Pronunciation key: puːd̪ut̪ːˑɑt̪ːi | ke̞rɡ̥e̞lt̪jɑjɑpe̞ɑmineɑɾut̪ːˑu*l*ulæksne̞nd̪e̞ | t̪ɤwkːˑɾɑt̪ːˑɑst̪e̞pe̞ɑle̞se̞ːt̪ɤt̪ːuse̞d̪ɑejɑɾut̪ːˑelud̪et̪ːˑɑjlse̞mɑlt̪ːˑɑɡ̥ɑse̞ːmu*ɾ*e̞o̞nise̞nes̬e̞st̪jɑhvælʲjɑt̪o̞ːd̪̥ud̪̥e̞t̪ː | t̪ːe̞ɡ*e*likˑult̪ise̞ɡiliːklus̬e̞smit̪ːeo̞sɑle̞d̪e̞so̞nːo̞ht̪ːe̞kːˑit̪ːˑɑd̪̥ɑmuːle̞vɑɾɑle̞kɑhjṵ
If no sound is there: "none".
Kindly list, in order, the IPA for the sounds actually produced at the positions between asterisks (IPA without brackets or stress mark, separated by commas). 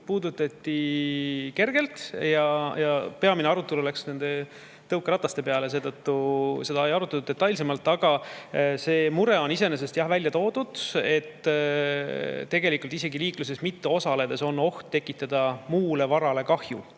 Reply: l, ɾ, e